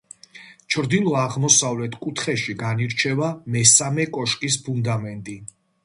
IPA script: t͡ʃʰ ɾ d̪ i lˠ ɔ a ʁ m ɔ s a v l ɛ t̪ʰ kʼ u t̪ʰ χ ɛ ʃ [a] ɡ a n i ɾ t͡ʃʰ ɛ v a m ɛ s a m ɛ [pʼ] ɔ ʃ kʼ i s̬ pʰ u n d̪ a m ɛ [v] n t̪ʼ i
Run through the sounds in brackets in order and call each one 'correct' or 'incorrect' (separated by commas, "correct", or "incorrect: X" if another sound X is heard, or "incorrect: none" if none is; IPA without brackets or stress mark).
incorrect: i, incorrect: kʼ, incorrect: none